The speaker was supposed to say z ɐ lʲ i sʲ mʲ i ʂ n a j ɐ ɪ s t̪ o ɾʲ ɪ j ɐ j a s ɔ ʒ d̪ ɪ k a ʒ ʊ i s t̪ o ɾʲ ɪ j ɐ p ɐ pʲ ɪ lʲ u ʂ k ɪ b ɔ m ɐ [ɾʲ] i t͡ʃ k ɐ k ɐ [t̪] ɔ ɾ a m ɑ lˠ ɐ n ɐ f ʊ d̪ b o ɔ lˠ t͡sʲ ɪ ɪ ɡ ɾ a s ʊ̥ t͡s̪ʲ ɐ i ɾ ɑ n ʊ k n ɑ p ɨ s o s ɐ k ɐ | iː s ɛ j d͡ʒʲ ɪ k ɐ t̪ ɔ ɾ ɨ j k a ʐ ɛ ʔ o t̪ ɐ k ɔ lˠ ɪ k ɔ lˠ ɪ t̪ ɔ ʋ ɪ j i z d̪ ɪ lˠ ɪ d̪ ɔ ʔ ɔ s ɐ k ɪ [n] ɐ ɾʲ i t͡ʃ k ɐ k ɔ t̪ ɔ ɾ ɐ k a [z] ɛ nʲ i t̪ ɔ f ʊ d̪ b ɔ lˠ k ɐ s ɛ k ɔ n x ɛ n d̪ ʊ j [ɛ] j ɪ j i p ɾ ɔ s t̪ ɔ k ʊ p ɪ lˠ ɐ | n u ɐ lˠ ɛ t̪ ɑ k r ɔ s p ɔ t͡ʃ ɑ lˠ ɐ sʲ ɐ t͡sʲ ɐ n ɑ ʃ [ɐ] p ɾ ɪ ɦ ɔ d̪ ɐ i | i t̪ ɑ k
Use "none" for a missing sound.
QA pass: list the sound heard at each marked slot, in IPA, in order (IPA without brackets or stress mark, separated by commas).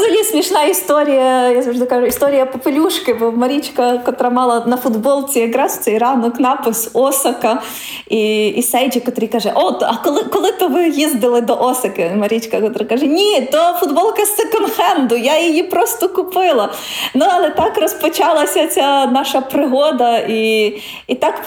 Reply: ɾʲ, t̪, m, ʒ, a, ɐ